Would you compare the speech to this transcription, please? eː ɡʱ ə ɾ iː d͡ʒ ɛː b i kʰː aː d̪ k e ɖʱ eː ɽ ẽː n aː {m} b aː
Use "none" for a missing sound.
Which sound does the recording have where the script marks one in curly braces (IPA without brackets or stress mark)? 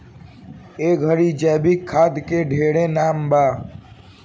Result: m